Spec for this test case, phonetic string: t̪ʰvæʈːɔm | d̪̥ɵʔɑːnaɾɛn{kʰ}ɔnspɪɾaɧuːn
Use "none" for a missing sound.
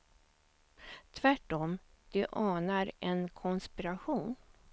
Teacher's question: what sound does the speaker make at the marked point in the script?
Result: kʰ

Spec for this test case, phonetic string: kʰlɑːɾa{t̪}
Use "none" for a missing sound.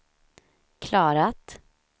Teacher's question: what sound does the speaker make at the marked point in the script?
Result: t̪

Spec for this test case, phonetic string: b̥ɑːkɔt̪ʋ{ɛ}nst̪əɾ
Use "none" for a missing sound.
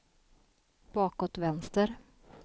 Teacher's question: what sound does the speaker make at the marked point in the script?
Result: ɛ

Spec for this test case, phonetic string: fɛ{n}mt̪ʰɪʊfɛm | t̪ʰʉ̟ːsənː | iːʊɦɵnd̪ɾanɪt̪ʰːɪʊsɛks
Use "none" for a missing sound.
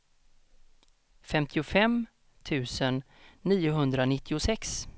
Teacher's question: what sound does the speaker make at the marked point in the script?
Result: none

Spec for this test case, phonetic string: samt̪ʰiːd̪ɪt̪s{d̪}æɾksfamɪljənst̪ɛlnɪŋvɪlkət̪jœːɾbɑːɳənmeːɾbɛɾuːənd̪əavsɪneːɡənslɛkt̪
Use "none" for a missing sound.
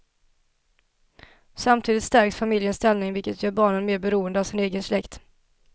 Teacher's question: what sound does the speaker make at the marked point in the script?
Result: t̪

